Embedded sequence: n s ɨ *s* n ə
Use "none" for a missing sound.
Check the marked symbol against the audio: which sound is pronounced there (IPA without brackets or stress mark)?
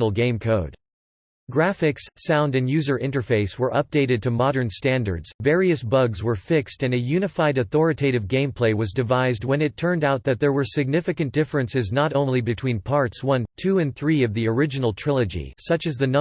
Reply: z